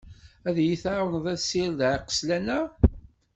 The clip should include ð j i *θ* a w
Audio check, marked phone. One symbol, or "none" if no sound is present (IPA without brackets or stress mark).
θ